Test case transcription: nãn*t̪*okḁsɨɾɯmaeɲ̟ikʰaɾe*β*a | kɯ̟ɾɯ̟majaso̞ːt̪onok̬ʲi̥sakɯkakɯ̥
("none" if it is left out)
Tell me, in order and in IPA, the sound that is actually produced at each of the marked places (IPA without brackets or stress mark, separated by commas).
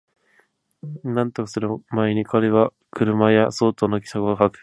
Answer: t̪, β